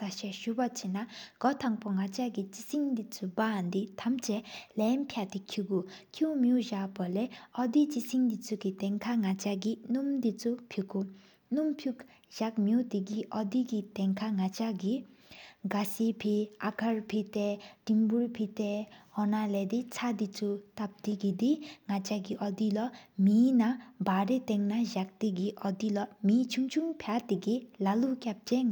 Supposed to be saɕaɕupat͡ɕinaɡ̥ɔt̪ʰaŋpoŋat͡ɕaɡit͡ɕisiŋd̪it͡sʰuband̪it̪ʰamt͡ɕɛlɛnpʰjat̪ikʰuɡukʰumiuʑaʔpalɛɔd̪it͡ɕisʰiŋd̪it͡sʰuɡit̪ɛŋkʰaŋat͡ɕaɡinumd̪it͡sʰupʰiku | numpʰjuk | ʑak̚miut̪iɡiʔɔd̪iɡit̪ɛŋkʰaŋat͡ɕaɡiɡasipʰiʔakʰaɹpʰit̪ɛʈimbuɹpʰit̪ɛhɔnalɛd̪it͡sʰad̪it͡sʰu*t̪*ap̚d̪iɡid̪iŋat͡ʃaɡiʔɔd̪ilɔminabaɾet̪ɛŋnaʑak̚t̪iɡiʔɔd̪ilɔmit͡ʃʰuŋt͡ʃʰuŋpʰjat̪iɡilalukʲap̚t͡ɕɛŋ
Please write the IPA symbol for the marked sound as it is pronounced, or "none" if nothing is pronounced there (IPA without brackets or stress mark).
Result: t̪